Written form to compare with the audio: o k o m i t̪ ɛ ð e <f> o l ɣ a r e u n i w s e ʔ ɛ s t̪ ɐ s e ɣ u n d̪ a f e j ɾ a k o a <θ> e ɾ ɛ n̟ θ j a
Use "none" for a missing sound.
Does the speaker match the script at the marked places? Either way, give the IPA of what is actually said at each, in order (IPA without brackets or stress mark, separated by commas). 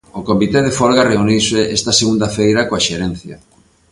f, ʃ